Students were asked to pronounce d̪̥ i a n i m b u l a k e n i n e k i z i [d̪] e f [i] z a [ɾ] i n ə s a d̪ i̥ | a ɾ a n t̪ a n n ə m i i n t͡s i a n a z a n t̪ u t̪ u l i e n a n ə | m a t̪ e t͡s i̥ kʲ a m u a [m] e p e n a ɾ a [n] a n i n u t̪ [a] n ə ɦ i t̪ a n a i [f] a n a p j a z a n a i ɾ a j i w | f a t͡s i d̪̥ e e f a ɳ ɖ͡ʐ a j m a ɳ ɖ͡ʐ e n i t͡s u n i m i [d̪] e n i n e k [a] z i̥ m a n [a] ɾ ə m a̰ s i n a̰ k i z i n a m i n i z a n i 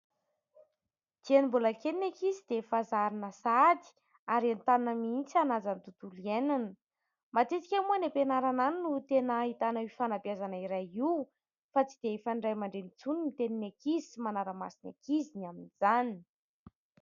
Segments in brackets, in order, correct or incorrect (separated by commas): correct, incorrect, correct, incorrect, correct, incorrect, correct, incorrect, incorrect, correct